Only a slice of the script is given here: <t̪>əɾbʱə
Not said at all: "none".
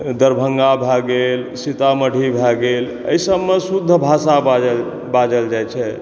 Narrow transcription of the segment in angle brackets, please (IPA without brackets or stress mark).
d̪